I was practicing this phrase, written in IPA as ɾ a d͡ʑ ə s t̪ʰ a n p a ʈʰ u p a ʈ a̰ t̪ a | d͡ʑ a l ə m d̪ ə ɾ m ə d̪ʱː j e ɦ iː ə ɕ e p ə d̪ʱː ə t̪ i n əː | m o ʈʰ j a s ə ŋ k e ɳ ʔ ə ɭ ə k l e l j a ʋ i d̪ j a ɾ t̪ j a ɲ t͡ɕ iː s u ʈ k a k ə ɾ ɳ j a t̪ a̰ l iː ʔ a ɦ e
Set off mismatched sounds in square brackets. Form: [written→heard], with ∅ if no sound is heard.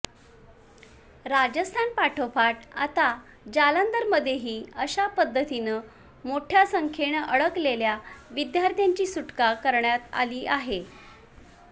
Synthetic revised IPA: ɾ a d͡ʑ ə s t̪ʰ a n p a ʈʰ [u→o] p a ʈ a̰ t̪ a | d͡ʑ a l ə [m→n] d̪ ə ɾ m ə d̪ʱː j e ɦ iː ə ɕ [e→a] p ə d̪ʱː ə t̪ i n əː | m o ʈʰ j a s ə ŋ [k→kʰ] e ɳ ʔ ə ɭ ə k l e l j a ʋ i d̪ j a ɾ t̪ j a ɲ t͡ɕ iː s u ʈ k a k ə ɾ ɳ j a t̪ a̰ l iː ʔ a ɦ e